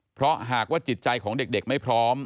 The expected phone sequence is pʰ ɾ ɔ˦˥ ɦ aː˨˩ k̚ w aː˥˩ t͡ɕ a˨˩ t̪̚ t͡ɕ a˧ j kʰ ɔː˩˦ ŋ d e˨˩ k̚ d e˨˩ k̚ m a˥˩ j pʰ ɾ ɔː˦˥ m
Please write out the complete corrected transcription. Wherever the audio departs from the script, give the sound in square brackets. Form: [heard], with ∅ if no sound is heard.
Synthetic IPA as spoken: pʰ ɾ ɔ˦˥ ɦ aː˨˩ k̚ w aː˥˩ t͡ɕ [i˨˩] t̪̚ t͡ɕ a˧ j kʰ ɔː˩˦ ŋ d e˨˩ k̚ d e˨˩ k̚ m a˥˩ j pʰ ɾ ɔː˦˥ m